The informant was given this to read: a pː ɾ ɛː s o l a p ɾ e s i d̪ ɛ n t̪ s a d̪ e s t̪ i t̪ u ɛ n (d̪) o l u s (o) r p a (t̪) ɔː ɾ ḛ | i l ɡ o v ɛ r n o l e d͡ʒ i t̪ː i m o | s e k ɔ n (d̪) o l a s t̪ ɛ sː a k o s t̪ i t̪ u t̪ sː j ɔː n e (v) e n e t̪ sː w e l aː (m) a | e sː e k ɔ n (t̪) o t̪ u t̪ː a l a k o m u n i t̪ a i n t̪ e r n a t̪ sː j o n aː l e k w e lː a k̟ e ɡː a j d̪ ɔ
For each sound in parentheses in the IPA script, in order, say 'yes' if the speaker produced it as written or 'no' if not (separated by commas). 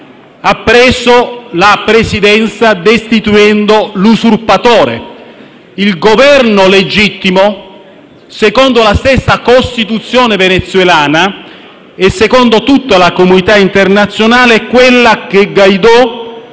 yes, no, yes, yes, yes, no, no